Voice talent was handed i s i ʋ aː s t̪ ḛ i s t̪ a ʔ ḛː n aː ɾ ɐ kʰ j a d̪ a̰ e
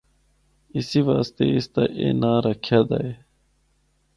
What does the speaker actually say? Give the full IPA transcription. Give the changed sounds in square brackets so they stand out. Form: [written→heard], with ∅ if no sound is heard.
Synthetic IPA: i s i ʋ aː s t̪ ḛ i s t̪ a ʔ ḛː n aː ɾ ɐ kʰ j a d̪ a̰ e